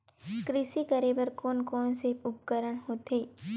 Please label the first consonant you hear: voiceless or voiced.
voiceless